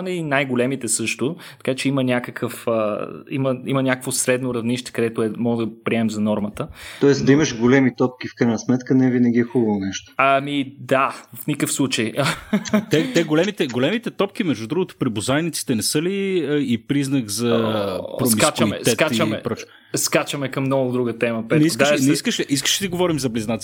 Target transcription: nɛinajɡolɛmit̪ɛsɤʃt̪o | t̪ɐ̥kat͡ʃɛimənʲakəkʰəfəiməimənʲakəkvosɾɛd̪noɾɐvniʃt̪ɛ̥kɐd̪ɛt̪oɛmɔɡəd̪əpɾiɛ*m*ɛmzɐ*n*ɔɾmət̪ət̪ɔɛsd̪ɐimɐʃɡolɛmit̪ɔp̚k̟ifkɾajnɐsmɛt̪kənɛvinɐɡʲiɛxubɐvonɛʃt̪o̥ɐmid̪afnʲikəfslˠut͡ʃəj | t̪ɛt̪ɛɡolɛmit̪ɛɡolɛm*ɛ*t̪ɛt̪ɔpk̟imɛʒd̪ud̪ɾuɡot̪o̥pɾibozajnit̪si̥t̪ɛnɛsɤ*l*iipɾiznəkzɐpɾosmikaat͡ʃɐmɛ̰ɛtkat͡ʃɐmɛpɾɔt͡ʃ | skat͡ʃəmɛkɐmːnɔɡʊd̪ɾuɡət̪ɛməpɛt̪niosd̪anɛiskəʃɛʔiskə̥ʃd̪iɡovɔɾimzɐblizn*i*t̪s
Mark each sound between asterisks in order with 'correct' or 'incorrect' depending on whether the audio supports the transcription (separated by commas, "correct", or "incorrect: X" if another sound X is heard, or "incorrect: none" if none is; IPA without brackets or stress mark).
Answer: correct, correct, incorrect: i, correct, incorrect: a